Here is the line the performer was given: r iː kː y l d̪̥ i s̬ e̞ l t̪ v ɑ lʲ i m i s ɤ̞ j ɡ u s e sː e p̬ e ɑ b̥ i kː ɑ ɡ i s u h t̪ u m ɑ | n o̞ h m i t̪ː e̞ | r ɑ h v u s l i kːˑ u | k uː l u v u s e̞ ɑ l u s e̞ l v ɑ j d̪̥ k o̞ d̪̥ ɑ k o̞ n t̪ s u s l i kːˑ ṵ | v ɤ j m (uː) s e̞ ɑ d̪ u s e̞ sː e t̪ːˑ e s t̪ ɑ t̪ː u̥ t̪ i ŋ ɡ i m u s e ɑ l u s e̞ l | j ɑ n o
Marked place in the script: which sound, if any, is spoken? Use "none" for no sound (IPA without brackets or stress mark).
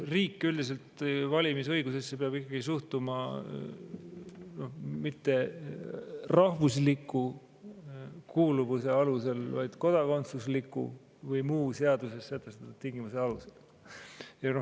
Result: uː